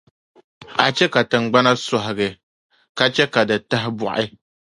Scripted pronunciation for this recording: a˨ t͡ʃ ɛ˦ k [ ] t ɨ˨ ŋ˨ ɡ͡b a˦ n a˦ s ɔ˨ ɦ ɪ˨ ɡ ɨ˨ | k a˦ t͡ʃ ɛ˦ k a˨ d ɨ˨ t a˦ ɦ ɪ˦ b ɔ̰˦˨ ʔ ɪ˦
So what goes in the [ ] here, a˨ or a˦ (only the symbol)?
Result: a˨